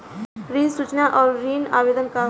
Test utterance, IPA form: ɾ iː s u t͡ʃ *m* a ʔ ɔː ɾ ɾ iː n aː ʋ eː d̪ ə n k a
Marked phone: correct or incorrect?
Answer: incorrect: n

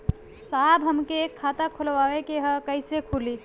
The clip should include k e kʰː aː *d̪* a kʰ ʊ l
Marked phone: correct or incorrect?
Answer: incorrect: t̪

